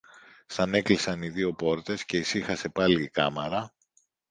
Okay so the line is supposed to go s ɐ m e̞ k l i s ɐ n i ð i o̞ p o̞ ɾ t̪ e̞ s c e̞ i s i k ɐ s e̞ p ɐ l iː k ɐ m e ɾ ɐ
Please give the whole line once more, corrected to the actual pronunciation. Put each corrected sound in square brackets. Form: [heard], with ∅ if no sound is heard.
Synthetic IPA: s ɐ [n] e̞ k l i s ɐ n i ð i o̞ p o̞ ɾ t̪ e̞ s c e̞ i s i [x] ɐ s e̞ p ɐ l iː k ɐ m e ɾ ɐ